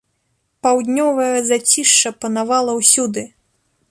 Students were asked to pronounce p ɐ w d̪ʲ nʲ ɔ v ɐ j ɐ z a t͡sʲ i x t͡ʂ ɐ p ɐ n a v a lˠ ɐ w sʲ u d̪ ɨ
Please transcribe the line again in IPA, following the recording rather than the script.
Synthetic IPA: p a w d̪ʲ nʲ ɔ v ɐ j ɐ z a t͡sʲ i ʂ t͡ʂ ɐ p ɐ n a v a lˠ ɐ w sʲ u d̪ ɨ

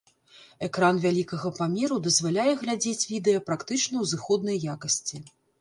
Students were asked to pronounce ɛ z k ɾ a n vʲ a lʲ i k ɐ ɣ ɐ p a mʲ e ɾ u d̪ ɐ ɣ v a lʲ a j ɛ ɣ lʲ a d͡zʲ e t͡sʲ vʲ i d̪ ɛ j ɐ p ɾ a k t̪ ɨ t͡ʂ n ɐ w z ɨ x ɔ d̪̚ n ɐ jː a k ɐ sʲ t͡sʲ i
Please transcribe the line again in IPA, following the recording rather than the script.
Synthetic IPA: ɛ k ɾ a n vʲ a lʲ i k ɐ ɣ ɐ p a mʲ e ɾ u d̪ ɐ z v a lʲ a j ɛ ɣ lʲ a d͡zʲ e t͡sʲ vʲ i d̪ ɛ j ɐ p ɾ a k t̪ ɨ t͡ʂ n ɐ w z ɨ x ɔ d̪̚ n ɐ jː a k ɐ sʲ t͡sʲ i

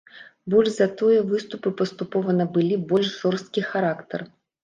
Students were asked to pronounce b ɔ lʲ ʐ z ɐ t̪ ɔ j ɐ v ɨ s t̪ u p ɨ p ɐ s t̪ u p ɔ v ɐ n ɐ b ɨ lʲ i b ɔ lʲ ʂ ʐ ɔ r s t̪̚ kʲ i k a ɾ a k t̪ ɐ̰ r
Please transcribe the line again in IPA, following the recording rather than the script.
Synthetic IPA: b ɔ lʲ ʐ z ɐ t̪ ɔ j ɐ v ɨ s t̪ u p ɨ p ɐ s t̪ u p ɔ v ɐ n ɐ b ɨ lʲ i b ɔ lʲ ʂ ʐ ɔ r s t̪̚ kʲ i x a ɾ a k t̪ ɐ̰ r

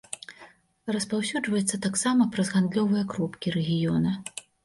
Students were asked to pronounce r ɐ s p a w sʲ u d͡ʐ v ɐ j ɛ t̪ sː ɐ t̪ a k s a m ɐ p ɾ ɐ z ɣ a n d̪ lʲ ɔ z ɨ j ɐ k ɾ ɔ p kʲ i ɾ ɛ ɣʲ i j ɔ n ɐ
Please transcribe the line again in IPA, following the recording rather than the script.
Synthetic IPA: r ɐ s p a w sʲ u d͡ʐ v ɐ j ɛ t̪ sː ɐ t̪ a k s a m ɐ p ɾ ɐ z ɣ a n d̪ lʲ ɔ v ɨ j ɐ k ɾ ɔ p kʲ i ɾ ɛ ɣʲ i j ɔ n ɐ

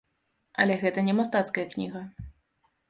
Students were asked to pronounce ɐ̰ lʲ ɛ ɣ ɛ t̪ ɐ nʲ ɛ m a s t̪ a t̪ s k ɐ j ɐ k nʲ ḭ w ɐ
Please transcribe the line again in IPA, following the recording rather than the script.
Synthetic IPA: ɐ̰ lʲ ɛ ɣ ɛ t̪ ɐ nʲ ɛ m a s t̪ a t̪ s k ɐ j ɐ k nʲ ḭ ɣ ɐ

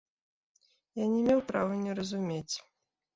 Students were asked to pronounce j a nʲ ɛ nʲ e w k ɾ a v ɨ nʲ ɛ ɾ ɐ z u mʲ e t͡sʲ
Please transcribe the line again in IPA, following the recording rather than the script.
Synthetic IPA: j a nʲ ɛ mʲ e w p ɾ a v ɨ nʲ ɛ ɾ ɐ z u mʲ e t͡sʲ

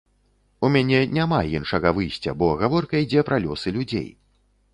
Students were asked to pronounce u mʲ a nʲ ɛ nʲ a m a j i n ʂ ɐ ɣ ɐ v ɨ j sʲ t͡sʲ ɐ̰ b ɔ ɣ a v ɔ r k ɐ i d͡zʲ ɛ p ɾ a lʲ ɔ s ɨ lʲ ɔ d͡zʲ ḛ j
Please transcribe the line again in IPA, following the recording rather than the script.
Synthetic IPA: u mʲ a nʲ ɛ nʲ a m a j i n ʂ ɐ ɣ ɐ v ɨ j sʲ t͡sʲ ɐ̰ b ɔ ɣ a v ɔ r k ɐ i d͡zʲ ɛ p ɾ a lʲ ɔ s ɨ lʲ u d͡zʲ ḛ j

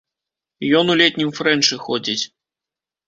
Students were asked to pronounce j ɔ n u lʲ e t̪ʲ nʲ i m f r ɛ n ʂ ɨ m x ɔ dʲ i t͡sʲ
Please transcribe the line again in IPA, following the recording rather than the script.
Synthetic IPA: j ɔ n u lʲ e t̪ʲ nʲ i m f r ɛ n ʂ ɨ x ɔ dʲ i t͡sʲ

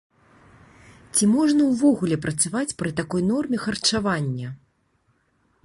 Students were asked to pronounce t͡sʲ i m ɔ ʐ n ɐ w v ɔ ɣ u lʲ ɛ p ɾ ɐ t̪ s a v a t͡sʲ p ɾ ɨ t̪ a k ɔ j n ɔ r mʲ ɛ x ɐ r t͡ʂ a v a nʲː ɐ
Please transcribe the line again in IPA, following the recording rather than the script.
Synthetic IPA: t͡sʲ i m ɔ ʐ n ɐ w v ɔ ɣ u lʲ ɛ p ɾ ɐ t̪ s a v a t͡sʲ p ɾ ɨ t̪ a k ɔ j n ɔ r mʲ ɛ x ɐ r t͡ʂ a v a nʲː ɐ

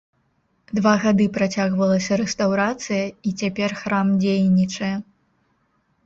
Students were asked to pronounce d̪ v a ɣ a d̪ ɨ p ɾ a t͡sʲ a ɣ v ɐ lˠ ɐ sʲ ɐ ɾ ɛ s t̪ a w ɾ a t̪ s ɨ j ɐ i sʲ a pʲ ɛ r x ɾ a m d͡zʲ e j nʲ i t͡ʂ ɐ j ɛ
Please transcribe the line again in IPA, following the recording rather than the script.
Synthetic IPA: d̪ v a ɣ a d̪ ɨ p ɾ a t͡sʲ a ɣ v ɐ lˠ ɐ sʲ ɐ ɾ ɛ s t̪ a w ɾ a t̪ s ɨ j ɐ i t͡sʲ a pʲ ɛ r x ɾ a m d͡zʲ e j nʲ i t͡ʂ ɐ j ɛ

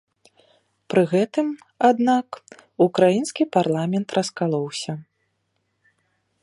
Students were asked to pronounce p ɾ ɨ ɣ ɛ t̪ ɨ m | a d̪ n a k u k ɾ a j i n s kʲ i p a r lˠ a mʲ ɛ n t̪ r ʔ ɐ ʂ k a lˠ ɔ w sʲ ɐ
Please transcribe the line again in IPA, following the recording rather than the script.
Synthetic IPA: p ɾ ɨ ɣ ɛ t̪ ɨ m | a d̪ n a k u k ɾ a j i n s kʲ i p a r lˠ a mʲ ɛ n t̪ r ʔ ɐ s k a lˠ ɔ w sʲ ɐ

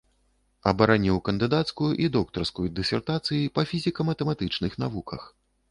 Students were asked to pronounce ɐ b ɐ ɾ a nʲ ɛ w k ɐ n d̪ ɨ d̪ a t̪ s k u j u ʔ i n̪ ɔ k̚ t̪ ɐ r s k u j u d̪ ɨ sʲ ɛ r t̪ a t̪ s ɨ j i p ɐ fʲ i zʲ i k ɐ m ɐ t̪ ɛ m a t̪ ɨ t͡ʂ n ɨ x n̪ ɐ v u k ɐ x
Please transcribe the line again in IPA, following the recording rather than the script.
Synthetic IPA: ɐ b ɐ ɾ a nʲ i w k ɐ n d̪ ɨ d̪ a t̪ s k u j u ʔ i d̪ ɔ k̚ t̪ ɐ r s k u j u d̪ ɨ sʲ ɛ r t̪ a t̪ s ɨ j i p ɐ fʲ i zʲ i k ɐ m ɐ t̪ ɛ m a t̪ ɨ t͡ʂ n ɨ x n̪ a v u k ɐ x

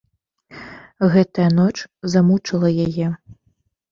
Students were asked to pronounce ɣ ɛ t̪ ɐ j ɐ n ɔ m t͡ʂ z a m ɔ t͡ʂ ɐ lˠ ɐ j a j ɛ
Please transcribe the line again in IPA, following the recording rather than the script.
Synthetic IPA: ɣ ɛ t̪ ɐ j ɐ n ɔ t͡ʂ z a m u t͡ʂ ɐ lˠ ɐ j a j ɛ

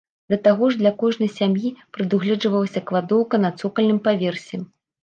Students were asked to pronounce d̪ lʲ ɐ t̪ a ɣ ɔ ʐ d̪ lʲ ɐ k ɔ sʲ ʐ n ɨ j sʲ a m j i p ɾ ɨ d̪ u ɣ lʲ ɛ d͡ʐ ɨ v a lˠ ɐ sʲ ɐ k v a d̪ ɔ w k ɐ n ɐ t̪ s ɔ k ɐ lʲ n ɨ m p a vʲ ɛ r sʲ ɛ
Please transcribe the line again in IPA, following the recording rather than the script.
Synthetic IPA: d̪ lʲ ɐ t̪ a ɣ ɔ ʐ d̪ lʲ ɐ k ɔ ʐ n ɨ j sʲ a m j i p ɾ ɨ d̪ u ɣ lʲ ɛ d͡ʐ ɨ v ɐ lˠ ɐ sʲ ɐ k v a d̪ ɔ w k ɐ n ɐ t̪ s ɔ k ɐ lʲ n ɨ m p a vʲ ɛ r sʲ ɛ

